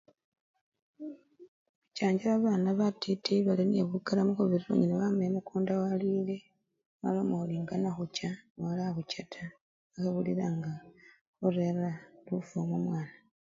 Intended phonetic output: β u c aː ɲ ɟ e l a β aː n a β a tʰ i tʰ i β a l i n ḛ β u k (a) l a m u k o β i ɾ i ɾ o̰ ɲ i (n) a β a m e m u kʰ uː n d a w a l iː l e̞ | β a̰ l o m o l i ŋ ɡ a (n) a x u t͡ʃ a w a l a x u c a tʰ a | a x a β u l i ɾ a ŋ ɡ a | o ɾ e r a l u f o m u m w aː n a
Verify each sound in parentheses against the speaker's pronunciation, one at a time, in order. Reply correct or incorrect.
correct, correct, correct

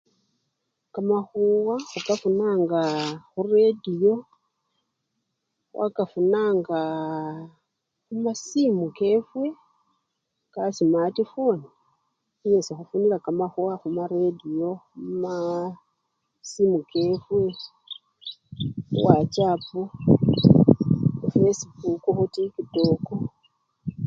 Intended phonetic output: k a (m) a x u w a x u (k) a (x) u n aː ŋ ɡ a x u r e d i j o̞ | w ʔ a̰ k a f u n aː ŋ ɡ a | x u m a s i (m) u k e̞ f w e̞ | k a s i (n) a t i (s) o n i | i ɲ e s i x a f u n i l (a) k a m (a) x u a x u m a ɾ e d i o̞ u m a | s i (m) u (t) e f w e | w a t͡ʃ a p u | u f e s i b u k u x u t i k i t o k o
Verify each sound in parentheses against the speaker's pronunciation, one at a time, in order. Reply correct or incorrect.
correct, correct, incorrect, correct, incorrect, incorrect, correct, correct, correct, incorrect

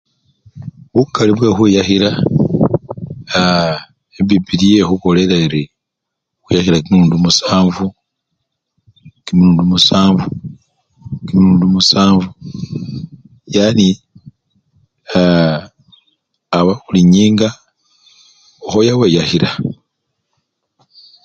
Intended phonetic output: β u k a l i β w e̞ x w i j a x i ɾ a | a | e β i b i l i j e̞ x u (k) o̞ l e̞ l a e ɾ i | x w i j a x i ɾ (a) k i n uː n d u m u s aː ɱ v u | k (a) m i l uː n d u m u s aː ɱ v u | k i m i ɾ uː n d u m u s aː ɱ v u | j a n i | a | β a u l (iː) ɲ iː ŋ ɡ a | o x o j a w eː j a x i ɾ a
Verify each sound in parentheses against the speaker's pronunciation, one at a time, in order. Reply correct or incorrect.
correct, correct, incorrect, incorrect

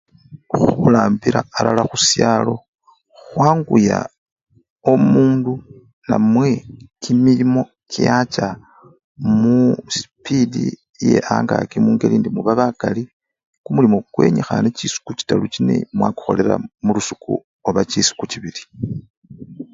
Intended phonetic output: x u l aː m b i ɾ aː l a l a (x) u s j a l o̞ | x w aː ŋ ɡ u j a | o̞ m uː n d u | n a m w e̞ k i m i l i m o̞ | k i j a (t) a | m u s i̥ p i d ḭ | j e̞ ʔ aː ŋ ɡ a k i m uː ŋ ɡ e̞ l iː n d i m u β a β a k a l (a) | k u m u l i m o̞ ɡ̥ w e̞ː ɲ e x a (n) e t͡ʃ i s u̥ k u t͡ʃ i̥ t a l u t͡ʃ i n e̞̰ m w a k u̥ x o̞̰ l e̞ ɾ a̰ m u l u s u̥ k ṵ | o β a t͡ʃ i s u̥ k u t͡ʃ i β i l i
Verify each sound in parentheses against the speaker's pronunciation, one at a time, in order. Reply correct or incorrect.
correct, incorrect, incorrect, correct

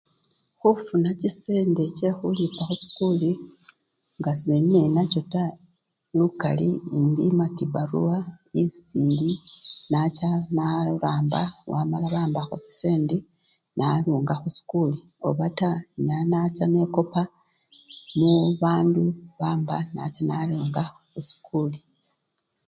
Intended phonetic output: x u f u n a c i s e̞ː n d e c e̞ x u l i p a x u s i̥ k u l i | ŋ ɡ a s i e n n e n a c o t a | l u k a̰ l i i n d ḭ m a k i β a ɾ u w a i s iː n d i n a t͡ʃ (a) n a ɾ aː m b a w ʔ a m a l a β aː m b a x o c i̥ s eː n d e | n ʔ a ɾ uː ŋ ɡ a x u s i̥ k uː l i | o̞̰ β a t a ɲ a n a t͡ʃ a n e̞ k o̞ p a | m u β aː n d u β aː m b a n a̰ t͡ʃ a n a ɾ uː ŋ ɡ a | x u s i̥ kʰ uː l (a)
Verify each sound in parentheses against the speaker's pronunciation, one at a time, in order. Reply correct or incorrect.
correct, incorrect

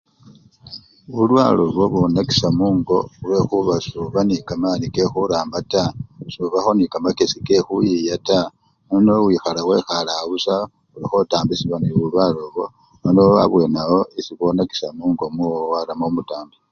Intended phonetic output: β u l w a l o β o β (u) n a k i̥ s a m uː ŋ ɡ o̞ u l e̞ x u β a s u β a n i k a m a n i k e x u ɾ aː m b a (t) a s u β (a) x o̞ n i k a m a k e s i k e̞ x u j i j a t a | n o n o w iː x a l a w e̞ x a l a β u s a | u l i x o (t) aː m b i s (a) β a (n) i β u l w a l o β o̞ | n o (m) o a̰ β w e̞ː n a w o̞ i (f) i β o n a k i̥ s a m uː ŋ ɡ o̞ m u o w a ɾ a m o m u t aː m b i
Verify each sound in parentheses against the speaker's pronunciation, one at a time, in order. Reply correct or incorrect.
incorrect, correct, correct, correct, incorrect, correct, incorrect, incorrect

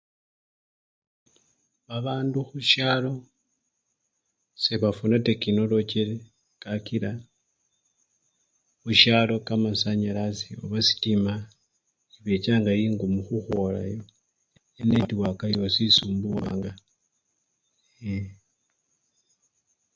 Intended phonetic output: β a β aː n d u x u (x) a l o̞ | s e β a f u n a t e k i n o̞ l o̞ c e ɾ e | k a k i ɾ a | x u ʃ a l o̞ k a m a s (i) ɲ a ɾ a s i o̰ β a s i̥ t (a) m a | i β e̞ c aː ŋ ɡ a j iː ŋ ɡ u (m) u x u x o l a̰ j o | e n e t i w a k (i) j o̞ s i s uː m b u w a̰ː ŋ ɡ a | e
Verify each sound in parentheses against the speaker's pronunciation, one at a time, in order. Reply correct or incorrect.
incorrect, incorrect, incorrect, correct, incorrect

